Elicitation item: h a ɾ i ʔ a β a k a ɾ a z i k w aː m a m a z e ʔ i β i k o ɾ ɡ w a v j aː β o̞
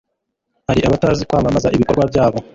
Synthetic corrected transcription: h a ɾ i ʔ a β a t a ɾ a z i k w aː m a m a z a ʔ i β i k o ɾ ɡ w a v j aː β o̞